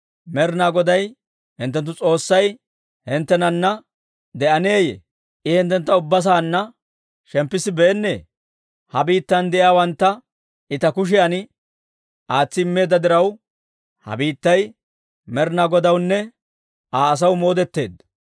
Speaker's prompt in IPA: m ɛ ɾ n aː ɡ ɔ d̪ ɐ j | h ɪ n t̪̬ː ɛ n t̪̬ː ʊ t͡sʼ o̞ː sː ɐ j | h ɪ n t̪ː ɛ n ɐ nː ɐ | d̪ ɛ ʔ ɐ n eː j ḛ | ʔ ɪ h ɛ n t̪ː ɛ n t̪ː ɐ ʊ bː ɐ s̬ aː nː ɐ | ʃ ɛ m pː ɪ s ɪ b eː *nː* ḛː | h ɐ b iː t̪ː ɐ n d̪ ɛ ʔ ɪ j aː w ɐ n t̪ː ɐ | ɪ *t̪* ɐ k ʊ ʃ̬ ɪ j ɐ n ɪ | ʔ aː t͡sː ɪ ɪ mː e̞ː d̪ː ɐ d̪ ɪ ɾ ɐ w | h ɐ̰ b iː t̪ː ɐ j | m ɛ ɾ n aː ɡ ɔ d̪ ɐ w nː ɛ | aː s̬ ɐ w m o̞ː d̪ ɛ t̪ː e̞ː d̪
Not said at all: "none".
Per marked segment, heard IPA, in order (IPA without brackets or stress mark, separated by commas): nː, t̪